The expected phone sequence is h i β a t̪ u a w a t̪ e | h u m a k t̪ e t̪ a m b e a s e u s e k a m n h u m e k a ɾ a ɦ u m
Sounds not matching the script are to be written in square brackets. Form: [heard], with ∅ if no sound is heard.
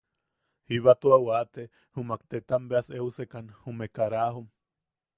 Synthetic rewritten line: h i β a t̪ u a w a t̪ e | h u m a k t̪ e t̪ a m b e a s e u s e k a [∅] n h u m e k a ɾ a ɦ u m